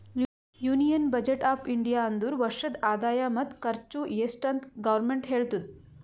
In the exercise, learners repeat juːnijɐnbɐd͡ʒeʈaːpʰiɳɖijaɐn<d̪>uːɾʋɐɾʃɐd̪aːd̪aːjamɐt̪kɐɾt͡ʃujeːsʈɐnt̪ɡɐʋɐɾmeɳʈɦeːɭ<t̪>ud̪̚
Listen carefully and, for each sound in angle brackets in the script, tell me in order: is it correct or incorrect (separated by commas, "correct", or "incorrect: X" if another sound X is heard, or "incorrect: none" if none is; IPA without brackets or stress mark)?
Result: correct, correct